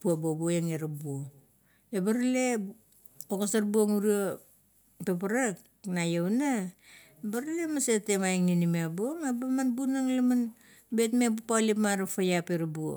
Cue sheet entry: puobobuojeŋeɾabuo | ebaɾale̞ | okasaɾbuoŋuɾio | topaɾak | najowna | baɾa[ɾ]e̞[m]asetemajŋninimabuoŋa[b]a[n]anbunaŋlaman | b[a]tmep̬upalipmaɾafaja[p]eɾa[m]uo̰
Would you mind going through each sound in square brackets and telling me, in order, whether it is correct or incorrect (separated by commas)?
incorrect, correct, correct, incorrect, incorrect, correct, incorrect